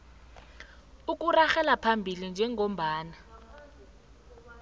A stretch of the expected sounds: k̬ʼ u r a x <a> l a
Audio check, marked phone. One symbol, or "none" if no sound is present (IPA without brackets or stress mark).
ɛ